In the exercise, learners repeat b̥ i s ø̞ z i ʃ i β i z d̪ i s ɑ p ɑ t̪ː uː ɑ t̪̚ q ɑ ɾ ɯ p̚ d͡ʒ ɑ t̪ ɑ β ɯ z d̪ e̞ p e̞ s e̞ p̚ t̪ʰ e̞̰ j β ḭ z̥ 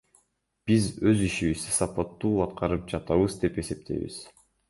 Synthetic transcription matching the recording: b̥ i z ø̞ z i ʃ i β i z d̪ i s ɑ p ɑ t̪ː uː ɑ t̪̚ q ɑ ɾ ɯ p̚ d͡ʒ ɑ t̪ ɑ β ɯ z d̪ e̞ p e̞ s e̞ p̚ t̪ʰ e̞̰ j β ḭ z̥